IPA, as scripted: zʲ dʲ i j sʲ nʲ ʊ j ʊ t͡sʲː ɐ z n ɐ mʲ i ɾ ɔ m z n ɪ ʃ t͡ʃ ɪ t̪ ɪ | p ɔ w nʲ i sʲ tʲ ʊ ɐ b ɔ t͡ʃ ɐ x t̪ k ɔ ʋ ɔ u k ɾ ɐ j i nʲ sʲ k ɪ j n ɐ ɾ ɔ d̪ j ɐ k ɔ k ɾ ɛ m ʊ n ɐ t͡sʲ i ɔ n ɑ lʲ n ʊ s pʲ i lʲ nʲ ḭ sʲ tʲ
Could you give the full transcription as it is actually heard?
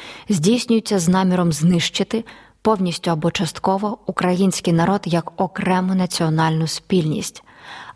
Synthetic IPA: zʲ dʲ i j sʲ nʲ ʊ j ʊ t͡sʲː ɐ z n ɑ mʲ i ɾ ɔ m z n ɪ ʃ t͡ʃ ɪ t̪ ɪ | p ɔ w nʲ i sʲ tʲ ʊ ɐ b ɔ t͡ʃ ɐ s t̪ k ɔ ʋ ɔ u k ɾ ɐ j i nʲ sʲ k ɪ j n ɐ ɾ ɔ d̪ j ɐ k ɔ k ɾ ɛ m ʊ n ɐ t͡sʲ i ɔ n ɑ lʲ n ʊ s pʲ i lʲ nʲ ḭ sʲ tʲ